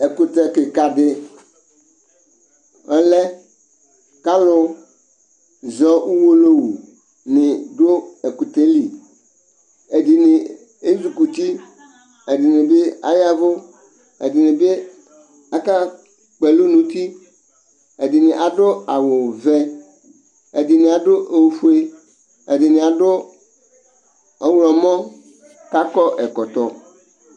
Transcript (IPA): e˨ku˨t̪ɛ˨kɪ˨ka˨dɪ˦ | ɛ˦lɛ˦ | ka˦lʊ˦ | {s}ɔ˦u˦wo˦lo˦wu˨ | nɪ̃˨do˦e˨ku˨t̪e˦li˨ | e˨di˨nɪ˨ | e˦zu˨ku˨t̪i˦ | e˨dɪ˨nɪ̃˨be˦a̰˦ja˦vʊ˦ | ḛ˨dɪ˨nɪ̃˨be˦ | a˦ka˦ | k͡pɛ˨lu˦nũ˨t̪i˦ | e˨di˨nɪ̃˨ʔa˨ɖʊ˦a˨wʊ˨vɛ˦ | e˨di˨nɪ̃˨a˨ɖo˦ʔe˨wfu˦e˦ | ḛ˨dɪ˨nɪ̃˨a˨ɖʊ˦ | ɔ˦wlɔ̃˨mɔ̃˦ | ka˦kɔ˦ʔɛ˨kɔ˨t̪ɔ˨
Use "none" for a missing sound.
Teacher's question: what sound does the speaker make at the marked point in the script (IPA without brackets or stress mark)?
z